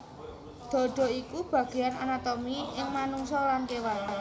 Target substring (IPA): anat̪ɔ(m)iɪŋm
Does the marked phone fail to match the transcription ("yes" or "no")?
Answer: no